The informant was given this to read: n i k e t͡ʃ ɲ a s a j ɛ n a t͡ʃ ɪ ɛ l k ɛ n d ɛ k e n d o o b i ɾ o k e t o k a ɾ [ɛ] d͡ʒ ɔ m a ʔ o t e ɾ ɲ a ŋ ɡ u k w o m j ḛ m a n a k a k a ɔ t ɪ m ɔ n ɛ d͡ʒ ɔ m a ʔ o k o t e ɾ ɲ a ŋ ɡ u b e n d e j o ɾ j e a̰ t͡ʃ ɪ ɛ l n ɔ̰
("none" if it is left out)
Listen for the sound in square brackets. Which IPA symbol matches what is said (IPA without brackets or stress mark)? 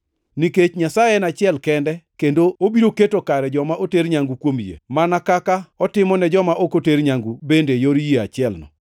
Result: ɛ